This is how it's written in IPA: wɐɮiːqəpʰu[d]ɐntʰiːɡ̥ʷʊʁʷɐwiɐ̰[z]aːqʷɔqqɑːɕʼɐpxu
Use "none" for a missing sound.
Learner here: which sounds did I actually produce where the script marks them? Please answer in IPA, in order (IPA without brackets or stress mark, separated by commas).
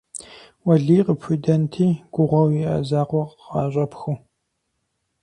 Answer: d, z